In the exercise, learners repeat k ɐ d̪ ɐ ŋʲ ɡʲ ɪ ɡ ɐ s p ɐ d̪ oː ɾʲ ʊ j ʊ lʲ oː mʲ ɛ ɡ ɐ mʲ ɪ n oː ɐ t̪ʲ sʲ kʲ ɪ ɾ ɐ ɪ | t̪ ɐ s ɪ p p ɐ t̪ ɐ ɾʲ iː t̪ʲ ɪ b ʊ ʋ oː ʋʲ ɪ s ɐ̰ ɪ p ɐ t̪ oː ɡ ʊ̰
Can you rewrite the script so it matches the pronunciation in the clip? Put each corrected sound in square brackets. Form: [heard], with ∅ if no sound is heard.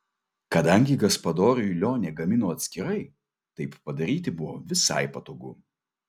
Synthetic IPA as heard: k ɐ d̪ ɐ ŋʲ ɡʲ ɪ ɡ ɐ s p ɐ d̪ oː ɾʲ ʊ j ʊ lʲ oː [nʲ] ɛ ɡ ɐ mʲ ɪ n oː ɐ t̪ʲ sʲ kʲ ɪ ɾ ɐ ɪ | t̪ ɐ [∅] ɪ p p ɐ [d̪] ɐ ɾʲ iː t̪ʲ ɪ b ʊ ʋ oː ʋʲ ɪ s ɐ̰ ɪ p ɐ t̪ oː ɡ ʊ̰